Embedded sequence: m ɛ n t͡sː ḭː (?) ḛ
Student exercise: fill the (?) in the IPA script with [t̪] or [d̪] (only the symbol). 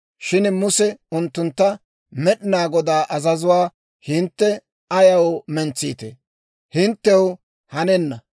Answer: t̪